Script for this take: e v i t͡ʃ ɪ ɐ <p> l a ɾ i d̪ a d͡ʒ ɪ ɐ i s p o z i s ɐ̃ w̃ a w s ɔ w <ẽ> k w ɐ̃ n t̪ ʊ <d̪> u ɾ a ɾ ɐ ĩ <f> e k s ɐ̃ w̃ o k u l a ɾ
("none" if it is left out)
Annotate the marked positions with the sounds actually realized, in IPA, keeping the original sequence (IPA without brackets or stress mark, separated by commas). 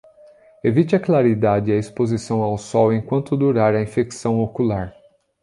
k, ẽ, d̪, f